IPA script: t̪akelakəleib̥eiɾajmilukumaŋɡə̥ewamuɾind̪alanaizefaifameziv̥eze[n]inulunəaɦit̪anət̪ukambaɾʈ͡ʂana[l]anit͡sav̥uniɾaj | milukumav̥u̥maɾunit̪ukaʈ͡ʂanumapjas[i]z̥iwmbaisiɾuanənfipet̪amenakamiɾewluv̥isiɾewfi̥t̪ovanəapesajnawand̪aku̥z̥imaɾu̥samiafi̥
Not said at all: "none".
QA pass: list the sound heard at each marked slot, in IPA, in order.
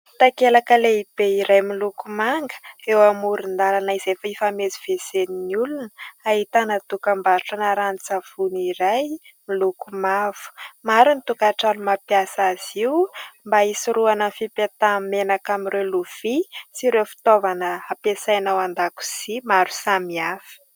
n, ɾ, a

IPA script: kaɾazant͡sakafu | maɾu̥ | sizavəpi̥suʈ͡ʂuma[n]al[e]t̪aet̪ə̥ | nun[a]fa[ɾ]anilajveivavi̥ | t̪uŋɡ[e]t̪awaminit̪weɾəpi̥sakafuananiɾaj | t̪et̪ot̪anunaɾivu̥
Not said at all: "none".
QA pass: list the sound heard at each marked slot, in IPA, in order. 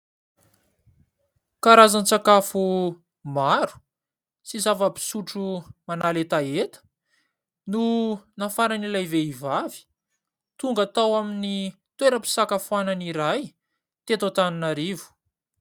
n, e, a, ɾ, a

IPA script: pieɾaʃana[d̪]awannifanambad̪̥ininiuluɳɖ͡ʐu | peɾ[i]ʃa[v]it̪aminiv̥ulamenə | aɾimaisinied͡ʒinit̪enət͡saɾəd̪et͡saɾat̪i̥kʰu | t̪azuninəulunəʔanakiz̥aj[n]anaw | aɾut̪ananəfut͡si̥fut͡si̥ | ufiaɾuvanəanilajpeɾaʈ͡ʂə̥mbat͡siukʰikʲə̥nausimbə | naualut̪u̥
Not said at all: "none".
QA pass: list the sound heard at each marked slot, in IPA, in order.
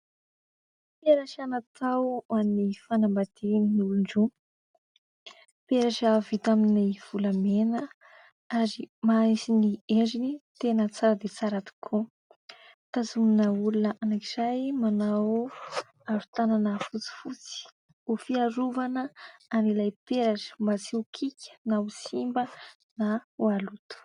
t̪, a, v, m

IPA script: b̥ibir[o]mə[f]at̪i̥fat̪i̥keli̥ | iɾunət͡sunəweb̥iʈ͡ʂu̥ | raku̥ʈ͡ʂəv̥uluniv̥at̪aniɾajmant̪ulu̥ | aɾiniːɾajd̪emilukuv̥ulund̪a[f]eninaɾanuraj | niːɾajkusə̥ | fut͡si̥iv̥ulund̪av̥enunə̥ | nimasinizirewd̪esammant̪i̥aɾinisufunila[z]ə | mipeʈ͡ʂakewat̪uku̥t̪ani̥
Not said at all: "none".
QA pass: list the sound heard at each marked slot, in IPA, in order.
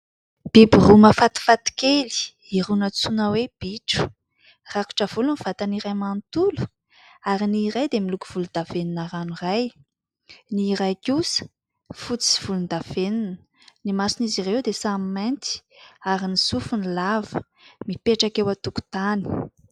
u, f, v, v

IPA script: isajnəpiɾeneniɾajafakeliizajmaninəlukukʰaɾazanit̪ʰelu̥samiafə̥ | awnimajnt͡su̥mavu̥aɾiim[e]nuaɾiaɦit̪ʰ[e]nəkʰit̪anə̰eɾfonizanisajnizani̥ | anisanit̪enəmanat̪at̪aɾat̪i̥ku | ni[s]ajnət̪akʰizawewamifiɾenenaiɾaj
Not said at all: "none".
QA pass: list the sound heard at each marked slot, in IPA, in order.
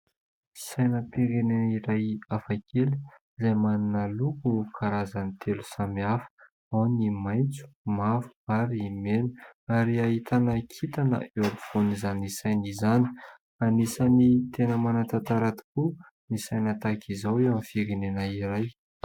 e, a, s

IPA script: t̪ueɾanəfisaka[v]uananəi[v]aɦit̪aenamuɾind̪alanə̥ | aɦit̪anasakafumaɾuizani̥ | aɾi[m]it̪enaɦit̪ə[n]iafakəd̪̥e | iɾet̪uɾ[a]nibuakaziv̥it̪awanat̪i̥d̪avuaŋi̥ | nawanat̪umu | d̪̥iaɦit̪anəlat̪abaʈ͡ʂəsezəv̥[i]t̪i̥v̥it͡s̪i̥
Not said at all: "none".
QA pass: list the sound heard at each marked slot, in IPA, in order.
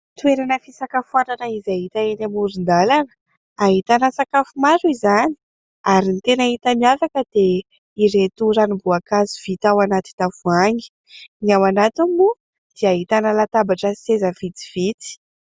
f, z, n, m, a, i

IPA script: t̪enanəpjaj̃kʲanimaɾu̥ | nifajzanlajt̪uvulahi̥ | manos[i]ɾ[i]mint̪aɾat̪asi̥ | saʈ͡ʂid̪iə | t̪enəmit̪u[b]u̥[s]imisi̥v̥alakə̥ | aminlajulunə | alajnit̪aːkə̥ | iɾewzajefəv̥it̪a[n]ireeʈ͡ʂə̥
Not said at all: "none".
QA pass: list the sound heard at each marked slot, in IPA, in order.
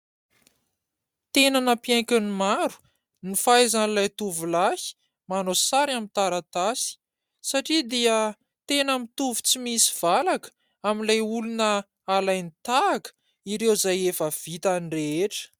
a, a, v, t͡s, n

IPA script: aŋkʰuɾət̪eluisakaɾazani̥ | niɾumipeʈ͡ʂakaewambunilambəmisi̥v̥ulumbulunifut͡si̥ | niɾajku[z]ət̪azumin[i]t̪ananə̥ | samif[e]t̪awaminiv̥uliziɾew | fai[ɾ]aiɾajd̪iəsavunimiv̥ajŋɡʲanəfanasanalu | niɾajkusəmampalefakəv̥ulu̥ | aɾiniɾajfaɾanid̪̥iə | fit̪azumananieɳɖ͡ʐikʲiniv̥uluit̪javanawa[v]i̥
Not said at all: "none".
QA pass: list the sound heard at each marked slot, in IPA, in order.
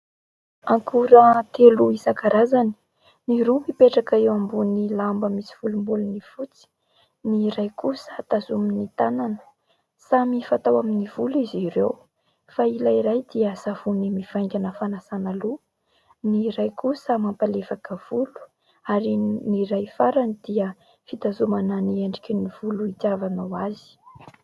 s, i, a, l, z

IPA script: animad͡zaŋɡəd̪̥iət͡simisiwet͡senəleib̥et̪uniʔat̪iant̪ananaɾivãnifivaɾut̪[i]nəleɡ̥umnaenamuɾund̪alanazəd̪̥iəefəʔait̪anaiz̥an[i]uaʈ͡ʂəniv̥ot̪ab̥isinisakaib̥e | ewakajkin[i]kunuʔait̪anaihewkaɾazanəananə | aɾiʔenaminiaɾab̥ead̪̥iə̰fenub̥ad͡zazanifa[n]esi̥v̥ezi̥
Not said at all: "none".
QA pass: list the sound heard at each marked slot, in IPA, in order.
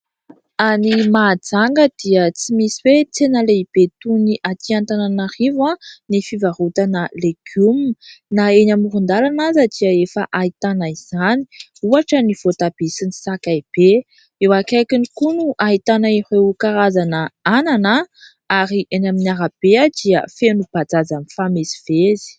a, i, i, m

